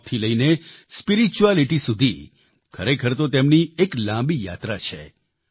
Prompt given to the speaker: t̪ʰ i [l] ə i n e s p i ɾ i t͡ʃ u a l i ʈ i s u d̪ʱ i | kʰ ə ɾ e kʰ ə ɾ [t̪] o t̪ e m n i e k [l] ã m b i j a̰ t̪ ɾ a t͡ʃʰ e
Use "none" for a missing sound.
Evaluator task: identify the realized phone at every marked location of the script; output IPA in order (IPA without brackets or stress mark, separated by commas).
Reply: l, t̪, l